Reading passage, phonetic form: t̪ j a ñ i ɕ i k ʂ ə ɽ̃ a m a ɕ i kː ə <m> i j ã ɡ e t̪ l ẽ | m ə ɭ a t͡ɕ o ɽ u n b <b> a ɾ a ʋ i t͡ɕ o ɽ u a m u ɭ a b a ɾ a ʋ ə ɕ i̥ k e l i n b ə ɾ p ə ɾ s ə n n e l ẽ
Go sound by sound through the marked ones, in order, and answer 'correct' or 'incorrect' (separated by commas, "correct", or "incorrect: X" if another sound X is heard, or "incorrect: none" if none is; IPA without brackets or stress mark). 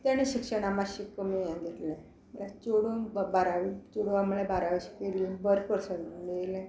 correct, correct